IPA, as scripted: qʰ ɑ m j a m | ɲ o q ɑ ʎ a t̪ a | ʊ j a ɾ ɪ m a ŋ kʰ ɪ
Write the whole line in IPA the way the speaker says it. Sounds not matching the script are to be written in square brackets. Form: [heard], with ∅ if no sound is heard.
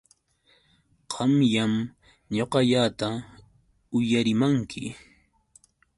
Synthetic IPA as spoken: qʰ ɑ m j a m | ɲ o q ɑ ʎ a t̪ a | ʊ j a ɾ ɪ m a ŋ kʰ ɪ